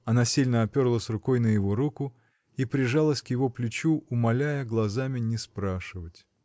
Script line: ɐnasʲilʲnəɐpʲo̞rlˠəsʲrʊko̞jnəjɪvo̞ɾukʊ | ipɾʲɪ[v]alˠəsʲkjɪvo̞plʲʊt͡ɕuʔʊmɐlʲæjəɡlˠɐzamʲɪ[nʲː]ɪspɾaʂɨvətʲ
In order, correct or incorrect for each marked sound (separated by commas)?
incorrect, incorrect